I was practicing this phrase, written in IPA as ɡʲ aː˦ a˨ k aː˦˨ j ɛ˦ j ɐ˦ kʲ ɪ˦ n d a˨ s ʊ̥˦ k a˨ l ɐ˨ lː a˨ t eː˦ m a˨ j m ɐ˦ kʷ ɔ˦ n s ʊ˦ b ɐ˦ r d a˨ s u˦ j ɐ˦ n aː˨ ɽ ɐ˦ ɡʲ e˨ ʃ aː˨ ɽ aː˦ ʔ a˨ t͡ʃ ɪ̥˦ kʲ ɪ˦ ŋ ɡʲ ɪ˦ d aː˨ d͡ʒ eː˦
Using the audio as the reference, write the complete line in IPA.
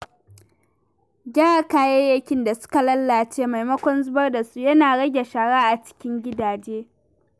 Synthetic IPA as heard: ɡʲ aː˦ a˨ k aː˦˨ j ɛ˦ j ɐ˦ kʲ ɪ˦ n d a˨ s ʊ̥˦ k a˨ l ɐ˦ lː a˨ t͡ʃ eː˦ m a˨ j m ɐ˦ kʷ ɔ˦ n z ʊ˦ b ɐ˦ r d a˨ s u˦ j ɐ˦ n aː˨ ɽ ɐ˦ ɡʲ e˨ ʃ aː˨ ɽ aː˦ ʔ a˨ t͡ʃ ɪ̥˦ kʲ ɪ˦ ŋ ɡʲ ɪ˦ d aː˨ d͡ʒ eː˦